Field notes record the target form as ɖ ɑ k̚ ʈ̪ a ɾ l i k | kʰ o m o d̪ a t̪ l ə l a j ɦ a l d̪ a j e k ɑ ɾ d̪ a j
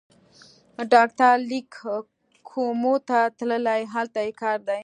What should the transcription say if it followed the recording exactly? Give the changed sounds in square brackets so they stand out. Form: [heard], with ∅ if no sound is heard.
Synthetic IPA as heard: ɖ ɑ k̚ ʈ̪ a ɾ l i k | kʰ o m o [t̪] a t̪ l ə l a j ɦ a l [t̪] a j e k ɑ ɾ d̪ a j